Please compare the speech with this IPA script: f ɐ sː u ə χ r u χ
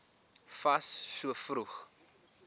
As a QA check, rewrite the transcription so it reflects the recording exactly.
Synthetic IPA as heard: f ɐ sː u ə f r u χ

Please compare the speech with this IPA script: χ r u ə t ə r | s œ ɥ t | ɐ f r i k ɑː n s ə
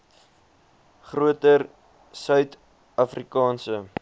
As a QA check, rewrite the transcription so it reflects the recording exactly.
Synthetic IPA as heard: χ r u ə t ə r | s œ ɥ t | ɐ f r i k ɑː n s ə

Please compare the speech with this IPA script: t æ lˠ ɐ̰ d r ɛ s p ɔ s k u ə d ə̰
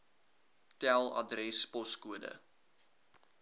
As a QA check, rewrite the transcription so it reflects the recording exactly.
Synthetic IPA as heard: t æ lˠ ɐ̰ d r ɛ s p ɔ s k u ə d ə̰

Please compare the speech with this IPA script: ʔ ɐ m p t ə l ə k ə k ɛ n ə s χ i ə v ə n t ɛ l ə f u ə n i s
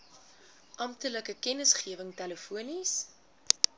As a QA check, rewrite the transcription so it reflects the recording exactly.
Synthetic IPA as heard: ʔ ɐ m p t ə l ə k ə k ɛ n ə s χ i ə v ə ŋ t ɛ l ə f u ə n i s

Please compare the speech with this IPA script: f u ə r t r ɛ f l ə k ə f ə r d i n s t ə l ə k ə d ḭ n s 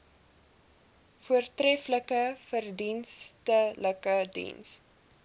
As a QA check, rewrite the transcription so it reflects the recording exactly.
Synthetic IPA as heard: f u ə r t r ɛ f l ə k ə f ə r d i n s t ə l ə k ə d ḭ n s

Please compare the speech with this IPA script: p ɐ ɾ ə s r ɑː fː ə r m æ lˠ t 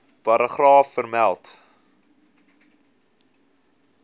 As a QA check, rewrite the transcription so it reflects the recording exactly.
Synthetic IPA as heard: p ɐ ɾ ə χ r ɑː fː ə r m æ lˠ t

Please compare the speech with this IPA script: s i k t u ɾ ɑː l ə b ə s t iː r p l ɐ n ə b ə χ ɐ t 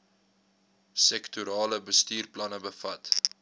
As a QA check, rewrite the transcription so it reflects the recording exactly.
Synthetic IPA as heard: s ɛ k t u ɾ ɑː l ə b ə s t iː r p l ɐ n ə b ə f ɐ t

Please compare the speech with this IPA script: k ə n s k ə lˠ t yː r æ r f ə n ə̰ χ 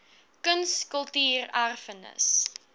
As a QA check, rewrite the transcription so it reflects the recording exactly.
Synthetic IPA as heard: k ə n s k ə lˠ t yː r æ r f ə n ə̰ s

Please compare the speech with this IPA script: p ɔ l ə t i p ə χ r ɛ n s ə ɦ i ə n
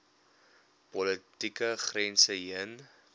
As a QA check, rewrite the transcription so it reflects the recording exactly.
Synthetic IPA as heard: p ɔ l ə t i k ə χ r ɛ n s ə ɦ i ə n

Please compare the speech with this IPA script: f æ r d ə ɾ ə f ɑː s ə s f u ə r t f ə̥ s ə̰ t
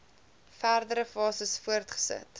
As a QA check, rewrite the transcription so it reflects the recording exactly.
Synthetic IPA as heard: f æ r d ə ɾ ə f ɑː s ə s f u ə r t χ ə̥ s ə̰ t

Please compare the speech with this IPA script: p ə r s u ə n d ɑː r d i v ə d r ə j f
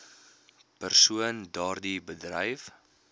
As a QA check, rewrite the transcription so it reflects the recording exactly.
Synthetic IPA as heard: p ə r s u ə n d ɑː r d i b ə d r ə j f

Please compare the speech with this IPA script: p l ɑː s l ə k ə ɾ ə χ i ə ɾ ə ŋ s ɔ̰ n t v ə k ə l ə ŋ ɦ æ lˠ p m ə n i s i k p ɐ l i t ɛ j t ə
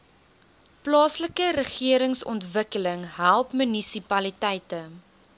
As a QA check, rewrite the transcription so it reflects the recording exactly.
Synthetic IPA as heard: p l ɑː s l ə k ə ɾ ə χ i ə ɾ ə ŋ s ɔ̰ n t v ə k ə l ə ŋ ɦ æ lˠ p m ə n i s i p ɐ l i t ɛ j t ə

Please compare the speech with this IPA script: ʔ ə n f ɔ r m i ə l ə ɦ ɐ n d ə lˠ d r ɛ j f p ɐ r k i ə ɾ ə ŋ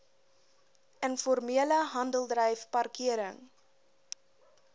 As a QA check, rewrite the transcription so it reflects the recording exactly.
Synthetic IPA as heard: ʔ ə n f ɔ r m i ə l ə ɦ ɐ n d ə lˠ d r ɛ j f p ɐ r k i ə ɾ ə ŋ

